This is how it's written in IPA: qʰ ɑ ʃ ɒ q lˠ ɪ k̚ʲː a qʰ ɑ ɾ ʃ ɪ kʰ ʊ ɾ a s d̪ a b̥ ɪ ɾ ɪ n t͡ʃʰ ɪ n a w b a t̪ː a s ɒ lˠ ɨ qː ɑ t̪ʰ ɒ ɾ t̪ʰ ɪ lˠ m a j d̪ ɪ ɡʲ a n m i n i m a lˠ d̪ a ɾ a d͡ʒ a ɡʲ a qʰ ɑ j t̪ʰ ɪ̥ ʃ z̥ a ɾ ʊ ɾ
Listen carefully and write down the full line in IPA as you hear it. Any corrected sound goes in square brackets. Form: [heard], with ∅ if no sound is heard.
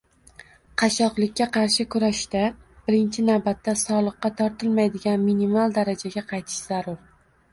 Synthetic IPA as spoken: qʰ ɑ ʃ ɒ q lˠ ɪ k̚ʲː a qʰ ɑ ɾ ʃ ɪ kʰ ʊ ɾ a [ʃ] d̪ a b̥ ɪ ɾ ɪ n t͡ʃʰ ɪ n a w b a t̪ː a s ɒ lˠ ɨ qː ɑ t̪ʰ ɒ ɾ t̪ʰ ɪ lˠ m a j d̪ ɪ ɡʲ a n m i n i m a lˠ d̪ a ɾ a d͡ʒ a ɡʲ a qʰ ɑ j t̪ʰ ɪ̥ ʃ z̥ a ɾ ʊ ɾ